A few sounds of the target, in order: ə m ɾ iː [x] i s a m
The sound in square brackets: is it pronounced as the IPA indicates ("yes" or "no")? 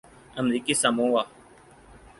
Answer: no